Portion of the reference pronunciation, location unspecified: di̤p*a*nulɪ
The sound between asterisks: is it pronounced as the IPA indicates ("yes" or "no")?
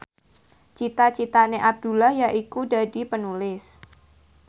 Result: no